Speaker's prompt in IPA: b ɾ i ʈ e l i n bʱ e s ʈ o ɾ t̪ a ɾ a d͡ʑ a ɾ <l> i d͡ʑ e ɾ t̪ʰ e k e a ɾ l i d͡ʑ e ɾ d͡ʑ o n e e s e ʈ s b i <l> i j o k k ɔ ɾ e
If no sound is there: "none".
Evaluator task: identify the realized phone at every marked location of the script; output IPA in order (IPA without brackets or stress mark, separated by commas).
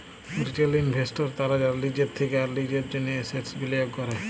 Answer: l, l